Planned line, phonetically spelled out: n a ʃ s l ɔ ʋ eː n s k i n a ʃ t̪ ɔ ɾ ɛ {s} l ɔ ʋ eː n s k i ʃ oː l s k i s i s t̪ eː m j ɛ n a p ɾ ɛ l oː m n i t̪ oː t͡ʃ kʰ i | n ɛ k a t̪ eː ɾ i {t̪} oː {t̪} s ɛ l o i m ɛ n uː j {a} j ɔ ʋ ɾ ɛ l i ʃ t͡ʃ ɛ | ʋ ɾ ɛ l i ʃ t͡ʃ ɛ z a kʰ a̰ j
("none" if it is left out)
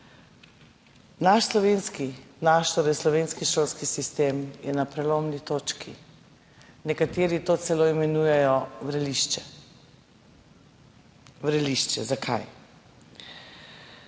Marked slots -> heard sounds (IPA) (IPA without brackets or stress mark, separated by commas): s, t̪, t̪, ɛ